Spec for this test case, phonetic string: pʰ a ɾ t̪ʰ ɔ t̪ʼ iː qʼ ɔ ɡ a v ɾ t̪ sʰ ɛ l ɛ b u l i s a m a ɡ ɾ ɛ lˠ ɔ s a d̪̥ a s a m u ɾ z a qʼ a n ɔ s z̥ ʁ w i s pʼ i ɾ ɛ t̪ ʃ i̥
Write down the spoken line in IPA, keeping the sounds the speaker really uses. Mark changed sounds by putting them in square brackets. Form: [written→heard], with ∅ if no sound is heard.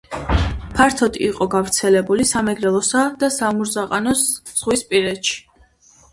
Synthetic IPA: pʰ a ɾ t̪ʰ ɔ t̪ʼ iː qʼ ɔ ɡ a v ɾ t̪ sʰ ɛ l ɛ b u l i s a m [a→ɛ] ɡ ɾ ɛ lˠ ɔ s a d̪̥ a s a m u ɾ z a qʼ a n ɔ s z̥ ʁ w i s pʼ i ɾ ɛ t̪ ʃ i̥